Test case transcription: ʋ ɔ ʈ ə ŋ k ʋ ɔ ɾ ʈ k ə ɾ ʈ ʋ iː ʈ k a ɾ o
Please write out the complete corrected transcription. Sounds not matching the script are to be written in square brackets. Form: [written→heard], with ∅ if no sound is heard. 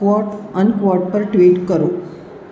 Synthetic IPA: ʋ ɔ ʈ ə [ŋ→n] k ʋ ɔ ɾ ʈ [k→p] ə ɾ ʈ ʋ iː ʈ k [a→ə] ɾ o

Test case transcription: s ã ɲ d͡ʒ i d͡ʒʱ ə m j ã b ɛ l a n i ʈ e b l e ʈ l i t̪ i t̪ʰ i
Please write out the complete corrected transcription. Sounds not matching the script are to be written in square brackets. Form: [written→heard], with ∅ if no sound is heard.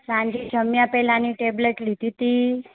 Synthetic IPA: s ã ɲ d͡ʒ i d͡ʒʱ ə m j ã [b→p] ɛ l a n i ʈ e b l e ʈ l i t̪ i [t̪ʰ→t̪] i

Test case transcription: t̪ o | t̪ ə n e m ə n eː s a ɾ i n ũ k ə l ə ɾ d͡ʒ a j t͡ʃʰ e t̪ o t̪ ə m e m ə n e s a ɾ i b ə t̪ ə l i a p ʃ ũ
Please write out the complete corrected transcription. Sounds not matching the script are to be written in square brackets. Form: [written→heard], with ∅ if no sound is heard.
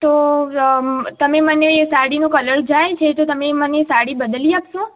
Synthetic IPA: t̪ o | t̪ ə [n→m] e m ə n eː s a [ɾ→ɽ] i n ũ k ə l ə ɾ d͡ʒ a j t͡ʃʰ e t̪ o t̪ ə m e m ə n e s a [ɾ→ɽ] i b ə [t̪→d̪] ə l i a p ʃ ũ

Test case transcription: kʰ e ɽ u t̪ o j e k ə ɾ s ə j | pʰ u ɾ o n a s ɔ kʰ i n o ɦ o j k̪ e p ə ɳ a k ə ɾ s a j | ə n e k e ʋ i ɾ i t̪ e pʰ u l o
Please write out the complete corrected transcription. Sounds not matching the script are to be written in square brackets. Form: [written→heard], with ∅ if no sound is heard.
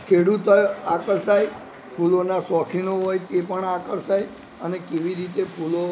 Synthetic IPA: kʰ e ɽ u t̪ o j [e→a] k ə ɾ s [ə→a] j | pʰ u [ɾ→l] o n a s ɔ kʰ i n o ɦ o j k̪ e p ə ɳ a k ə ɾ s a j | ə n e k e ʋ i ɾ i t̪ e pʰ u l o

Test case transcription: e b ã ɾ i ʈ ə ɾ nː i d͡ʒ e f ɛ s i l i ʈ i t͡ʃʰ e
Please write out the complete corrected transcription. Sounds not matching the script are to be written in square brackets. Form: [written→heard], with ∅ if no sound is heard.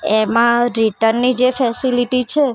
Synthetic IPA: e [b→m] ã ɾ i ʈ ə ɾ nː i d͡ʒ e f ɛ s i l i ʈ i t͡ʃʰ e

